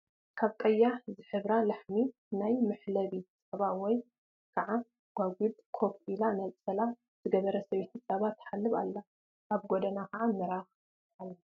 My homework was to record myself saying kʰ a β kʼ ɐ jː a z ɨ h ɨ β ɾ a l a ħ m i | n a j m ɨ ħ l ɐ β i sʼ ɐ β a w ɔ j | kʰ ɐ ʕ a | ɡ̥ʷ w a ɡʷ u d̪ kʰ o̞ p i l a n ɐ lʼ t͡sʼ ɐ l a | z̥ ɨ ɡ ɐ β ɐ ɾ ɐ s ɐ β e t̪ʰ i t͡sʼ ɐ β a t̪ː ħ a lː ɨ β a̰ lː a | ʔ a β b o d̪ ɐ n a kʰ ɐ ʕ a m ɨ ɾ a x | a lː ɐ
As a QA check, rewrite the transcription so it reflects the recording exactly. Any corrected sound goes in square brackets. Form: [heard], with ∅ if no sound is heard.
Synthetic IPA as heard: kʰ a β kʼ ɐ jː a z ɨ [ħ] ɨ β ɾ a l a ħ m i | n a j m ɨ ħ l ɐ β i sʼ ɐ β a w ɔ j | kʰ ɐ ʕ a | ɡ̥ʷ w a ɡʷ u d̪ kʰ o̞ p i l a n ɐ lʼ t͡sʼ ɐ l a | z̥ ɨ ɡ ɐ β ɐ ɾ ɐ s ɐ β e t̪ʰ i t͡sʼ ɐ β a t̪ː ħ a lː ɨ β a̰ lː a | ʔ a β [ɡ] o d̪ ɐ n a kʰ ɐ ʕ a m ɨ ɾ a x | a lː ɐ